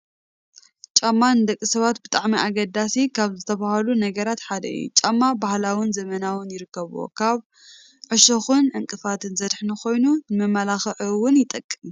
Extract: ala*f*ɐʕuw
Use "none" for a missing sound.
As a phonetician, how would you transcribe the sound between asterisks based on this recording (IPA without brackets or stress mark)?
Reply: x